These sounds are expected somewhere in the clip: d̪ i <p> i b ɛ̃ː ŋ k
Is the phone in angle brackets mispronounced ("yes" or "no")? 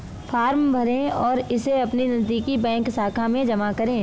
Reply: yes